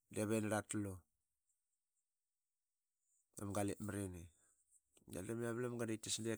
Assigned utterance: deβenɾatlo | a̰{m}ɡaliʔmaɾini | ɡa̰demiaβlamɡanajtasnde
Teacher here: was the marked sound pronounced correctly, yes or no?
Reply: yes